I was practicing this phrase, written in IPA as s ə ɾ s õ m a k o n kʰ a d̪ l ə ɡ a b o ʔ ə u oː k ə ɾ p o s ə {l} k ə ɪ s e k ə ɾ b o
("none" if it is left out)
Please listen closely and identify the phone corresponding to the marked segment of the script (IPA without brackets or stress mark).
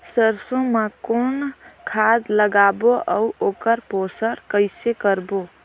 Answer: ɾ